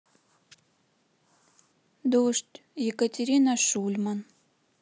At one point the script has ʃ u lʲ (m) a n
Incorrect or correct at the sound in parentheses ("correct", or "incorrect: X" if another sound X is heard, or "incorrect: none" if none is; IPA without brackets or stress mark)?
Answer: correct